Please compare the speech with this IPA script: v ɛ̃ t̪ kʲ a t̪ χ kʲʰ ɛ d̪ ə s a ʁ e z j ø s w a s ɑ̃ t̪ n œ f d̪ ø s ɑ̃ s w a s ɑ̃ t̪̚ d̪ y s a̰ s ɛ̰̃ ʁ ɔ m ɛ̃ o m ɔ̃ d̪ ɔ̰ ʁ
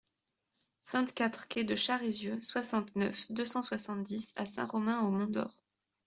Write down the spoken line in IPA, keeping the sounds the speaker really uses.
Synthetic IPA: v ɛ̃ t̪ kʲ a t̪ χ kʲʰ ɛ d̪ ə ʃ a ʁ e z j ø s w a s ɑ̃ t̪ n œ f d̪ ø s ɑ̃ s w a s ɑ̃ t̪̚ d̪ i s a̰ s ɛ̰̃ ʁ ɔ m ɛ̃ o m ɔ̃ d̪ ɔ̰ ʁ